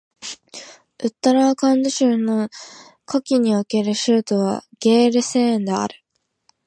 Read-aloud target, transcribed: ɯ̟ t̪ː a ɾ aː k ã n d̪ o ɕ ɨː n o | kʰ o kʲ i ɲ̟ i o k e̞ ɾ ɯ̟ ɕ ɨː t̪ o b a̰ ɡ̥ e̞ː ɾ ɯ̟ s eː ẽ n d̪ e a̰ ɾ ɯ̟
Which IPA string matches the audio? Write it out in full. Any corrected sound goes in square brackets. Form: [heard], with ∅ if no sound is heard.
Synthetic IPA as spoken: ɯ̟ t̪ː a ɾ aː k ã n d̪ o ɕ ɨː n o | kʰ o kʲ i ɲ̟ i o k e̞ ɾ ɯ̟ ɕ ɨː t̪ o [β] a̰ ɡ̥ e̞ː ɾ ɯ̟ s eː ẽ n d̪ e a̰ ɾ ɯ̟